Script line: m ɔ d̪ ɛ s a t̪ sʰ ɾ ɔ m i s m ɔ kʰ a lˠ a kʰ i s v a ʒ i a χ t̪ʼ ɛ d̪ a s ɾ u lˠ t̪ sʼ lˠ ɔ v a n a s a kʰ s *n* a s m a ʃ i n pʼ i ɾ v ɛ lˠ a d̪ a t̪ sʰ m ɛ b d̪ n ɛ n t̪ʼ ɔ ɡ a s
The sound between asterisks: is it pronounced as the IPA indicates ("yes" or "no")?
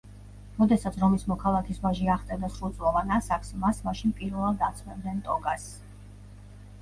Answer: no